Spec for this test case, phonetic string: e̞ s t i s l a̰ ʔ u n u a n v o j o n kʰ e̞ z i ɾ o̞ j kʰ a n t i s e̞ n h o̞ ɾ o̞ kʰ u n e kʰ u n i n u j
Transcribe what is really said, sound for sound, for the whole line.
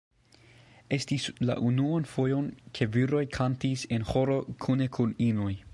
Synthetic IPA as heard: e̞ s t i s l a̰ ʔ u n u a n f o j o n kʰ e̞ v i ɾ o̞ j kʰ a n t i s e̞ n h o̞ ɾ o̞ kʰ u n e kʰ u n i n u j